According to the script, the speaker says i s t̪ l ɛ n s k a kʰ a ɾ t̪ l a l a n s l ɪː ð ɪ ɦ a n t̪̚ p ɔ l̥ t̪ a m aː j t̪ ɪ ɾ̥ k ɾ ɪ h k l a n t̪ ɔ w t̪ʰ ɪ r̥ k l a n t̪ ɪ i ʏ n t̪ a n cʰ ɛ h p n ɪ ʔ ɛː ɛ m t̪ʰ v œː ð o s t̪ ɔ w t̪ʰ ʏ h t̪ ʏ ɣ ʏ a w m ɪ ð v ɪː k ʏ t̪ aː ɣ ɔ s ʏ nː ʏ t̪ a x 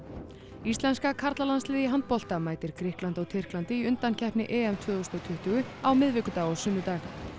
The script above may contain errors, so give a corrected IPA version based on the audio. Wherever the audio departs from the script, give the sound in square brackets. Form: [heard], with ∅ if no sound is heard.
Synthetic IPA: i s t̪ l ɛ n s k a kʰ a ɾ t̪ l a l a n s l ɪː ð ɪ ɦ a n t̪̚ p ɔ l̥ t̪ a m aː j t̪ ɪ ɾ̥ k ɾ ɪ h k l a n t̪ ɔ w t̪ʰ ɪ r̥ k l a n t̪ ɪ i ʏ n t̪ a n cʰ ɛ h p n ɪ ʔ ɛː ɛ m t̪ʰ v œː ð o s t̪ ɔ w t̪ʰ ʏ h t̪ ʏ ɣ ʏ a w m ɪ ð v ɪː k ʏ t̪ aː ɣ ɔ s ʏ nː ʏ t̪ a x